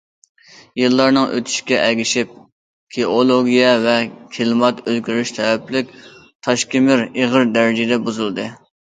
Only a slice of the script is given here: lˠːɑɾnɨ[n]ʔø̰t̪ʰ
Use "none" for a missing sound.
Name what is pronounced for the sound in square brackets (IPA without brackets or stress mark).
ŋ